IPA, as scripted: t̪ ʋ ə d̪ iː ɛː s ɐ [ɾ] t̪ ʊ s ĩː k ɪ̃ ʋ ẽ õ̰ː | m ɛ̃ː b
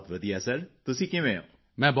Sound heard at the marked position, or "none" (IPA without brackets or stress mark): ɾ